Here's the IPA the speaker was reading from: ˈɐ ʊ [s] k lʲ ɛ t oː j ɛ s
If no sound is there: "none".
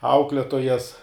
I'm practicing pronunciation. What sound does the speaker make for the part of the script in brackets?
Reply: none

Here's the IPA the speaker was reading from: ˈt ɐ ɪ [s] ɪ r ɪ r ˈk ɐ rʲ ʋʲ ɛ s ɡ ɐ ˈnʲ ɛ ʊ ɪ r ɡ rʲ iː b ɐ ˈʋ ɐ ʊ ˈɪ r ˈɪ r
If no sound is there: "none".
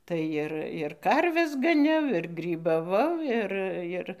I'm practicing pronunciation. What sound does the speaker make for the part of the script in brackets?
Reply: none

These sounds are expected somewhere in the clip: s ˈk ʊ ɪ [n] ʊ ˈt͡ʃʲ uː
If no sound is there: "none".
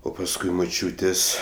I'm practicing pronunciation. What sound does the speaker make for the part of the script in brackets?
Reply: m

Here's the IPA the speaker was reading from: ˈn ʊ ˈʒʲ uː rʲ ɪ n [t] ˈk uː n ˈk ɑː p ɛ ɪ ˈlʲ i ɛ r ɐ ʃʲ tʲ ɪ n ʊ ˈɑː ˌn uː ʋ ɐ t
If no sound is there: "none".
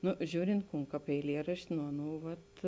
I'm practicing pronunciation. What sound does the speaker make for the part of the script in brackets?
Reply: t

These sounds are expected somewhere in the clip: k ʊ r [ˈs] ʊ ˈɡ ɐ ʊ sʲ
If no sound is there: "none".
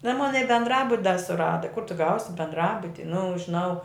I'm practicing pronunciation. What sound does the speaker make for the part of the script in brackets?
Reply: t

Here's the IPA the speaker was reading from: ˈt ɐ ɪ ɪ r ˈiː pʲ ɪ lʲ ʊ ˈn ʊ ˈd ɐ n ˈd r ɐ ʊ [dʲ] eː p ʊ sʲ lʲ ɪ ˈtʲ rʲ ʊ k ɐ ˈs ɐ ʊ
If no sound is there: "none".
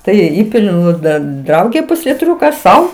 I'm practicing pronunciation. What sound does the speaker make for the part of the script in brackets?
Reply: ɡʲ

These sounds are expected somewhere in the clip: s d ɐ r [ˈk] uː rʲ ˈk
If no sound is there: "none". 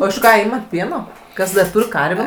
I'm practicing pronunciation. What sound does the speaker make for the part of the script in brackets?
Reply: t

